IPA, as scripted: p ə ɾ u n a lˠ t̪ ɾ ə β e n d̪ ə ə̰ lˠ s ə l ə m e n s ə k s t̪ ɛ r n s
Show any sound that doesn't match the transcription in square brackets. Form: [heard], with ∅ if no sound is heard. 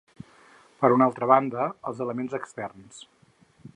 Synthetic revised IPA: p ə ɾ u n a lˠ t̪ ɾ ə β [a] n d̪ ə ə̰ lˠ [z] ə l ə m e n [z] ə k s t̪ ɛ r n s